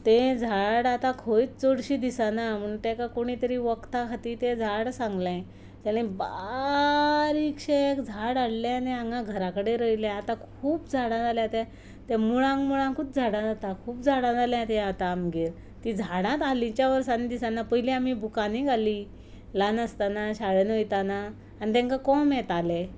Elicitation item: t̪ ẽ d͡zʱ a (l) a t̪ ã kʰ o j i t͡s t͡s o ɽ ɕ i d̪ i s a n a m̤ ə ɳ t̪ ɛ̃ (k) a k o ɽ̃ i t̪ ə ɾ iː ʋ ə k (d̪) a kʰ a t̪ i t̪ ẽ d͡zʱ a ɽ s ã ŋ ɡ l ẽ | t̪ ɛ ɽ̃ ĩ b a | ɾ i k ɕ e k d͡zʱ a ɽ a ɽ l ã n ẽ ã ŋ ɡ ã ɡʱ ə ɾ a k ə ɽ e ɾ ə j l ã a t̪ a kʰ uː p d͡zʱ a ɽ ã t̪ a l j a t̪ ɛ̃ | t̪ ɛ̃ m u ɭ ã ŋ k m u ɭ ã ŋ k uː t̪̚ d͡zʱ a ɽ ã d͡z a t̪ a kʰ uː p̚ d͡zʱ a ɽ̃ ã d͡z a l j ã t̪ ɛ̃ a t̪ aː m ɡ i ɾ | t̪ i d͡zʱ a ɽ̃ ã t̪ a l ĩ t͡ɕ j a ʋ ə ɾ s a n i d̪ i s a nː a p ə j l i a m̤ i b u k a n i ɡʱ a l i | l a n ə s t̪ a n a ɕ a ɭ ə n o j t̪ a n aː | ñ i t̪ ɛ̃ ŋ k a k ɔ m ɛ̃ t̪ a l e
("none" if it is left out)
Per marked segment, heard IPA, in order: ɽ, k, t̪

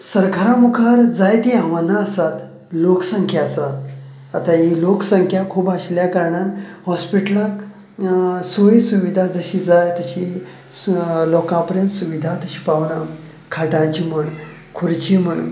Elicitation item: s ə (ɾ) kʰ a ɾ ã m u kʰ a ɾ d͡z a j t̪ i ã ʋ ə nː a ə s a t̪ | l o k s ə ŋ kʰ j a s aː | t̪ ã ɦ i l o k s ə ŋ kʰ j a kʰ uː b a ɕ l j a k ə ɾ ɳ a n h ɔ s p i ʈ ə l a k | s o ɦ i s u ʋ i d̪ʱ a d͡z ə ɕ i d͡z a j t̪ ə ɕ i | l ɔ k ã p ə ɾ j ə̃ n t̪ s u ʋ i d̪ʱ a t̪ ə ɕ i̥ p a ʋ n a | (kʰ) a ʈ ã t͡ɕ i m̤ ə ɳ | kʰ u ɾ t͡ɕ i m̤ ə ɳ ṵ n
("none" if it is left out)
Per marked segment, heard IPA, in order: ɾ, kʰ

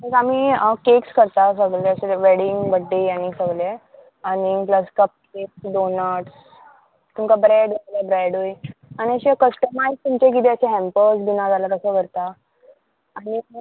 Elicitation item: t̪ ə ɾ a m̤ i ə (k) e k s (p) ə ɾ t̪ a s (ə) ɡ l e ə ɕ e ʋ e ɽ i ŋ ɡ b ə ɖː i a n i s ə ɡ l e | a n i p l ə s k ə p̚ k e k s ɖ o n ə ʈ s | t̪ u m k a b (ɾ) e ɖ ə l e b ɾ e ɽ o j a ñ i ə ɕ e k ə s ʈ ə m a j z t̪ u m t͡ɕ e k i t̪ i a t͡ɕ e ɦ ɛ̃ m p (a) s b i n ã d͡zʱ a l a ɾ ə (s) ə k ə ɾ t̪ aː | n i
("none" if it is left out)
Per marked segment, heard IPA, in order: k, k, ə, ɾ, ə, s

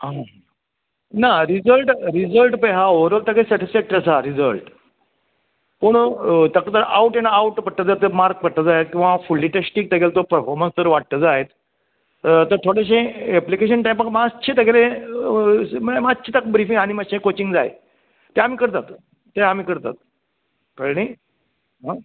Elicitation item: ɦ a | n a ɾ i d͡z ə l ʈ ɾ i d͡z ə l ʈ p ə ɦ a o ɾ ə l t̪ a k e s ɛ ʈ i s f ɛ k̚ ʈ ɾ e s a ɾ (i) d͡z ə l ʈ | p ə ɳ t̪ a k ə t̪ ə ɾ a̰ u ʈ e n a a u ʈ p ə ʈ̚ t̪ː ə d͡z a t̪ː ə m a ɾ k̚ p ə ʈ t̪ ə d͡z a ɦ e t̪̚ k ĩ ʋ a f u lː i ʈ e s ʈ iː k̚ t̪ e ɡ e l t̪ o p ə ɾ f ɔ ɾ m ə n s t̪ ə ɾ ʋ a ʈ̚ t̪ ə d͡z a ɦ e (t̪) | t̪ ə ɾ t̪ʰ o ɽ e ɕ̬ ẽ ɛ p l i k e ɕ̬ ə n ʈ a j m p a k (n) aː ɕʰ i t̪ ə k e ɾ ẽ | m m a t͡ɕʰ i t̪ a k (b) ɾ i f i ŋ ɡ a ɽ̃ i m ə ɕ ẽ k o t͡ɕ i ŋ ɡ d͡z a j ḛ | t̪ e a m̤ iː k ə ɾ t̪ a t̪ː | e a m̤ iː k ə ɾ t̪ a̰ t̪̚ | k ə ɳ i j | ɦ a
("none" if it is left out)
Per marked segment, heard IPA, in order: i, t̪, m, b

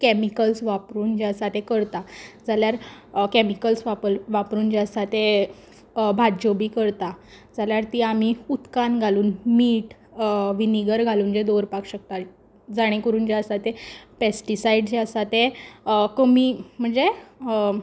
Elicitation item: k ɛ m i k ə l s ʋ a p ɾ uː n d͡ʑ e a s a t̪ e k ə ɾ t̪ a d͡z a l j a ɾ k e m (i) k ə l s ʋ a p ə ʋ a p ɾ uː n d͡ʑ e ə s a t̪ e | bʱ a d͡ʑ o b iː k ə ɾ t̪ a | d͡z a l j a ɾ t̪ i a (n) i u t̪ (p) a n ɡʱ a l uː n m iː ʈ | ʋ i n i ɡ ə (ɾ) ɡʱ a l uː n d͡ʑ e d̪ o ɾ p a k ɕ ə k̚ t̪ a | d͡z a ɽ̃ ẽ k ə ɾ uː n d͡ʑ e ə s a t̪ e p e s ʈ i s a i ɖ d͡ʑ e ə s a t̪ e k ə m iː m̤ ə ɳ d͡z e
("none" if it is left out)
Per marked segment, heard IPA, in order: i, m, k, ɾ

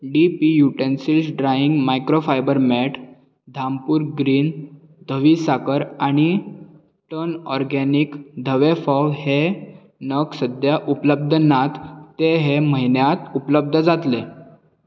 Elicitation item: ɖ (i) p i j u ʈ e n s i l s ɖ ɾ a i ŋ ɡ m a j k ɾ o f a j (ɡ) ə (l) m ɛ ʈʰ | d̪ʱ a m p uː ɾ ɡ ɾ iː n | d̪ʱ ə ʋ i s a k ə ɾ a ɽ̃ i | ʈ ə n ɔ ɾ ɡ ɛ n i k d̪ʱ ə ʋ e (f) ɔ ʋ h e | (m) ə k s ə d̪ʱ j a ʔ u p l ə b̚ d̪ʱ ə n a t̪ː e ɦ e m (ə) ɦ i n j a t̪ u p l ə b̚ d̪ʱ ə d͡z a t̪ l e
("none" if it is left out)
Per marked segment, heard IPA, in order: i, b, ɾ, f, n, ə

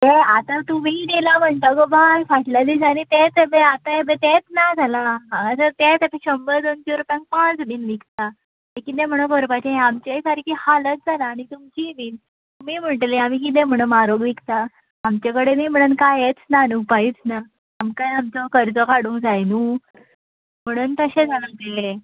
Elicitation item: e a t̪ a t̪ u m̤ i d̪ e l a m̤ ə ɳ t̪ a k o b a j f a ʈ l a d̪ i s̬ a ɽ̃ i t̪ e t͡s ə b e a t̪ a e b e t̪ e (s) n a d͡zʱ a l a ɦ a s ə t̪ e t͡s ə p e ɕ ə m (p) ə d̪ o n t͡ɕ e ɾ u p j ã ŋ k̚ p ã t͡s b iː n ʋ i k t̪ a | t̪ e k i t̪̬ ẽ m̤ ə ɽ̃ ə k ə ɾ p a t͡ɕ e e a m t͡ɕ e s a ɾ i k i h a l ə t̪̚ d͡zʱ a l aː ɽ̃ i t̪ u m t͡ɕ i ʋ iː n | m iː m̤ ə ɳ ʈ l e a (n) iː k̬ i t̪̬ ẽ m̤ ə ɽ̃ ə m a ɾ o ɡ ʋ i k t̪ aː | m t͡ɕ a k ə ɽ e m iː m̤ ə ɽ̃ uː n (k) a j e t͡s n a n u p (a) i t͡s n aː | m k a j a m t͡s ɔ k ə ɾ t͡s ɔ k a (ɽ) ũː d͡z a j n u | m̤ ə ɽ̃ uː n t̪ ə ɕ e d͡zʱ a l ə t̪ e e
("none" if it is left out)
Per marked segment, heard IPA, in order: t͡s, b, m, k, a, ɽ

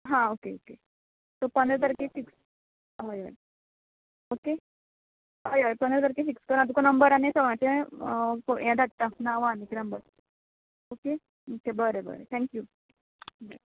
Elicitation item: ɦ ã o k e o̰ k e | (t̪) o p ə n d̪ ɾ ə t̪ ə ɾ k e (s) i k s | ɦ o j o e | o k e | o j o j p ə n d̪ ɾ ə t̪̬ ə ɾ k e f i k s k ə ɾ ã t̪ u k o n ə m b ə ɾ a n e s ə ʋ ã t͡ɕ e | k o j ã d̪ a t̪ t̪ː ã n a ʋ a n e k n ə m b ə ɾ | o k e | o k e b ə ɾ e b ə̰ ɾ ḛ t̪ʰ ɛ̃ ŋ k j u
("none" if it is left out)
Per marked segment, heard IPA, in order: t̪, f

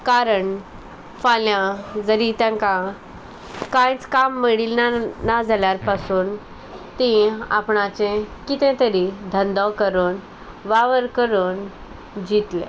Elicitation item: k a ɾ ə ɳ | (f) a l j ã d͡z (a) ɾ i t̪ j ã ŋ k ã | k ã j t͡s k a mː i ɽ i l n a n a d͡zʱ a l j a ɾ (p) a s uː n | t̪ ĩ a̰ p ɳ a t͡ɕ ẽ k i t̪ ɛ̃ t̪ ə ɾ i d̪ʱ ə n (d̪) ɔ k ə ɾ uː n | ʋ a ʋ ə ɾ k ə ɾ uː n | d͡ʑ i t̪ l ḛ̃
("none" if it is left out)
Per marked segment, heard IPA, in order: f, ə, p, d̪

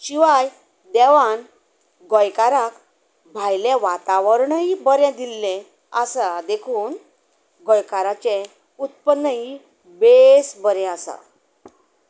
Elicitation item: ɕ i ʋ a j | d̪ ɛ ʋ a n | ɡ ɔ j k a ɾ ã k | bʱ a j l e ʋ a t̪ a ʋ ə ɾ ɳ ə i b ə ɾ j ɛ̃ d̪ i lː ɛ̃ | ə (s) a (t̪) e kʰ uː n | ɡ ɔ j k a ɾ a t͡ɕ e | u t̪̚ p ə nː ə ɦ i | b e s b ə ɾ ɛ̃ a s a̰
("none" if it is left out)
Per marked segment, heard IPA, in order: s, d̪

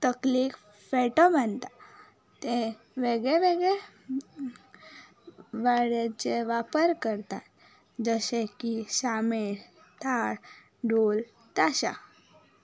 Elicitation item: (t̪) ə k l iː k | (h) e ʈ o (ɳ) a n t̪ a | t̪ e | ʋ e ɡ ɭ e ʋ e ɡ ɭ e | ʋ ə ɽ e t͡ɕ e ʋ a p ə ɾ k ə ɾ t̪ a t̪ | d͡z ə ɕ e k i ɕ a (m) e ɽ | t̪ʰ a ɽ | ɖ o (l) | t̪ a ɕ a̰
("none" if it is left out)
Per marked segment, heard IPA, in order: t̪, f, m, m, l

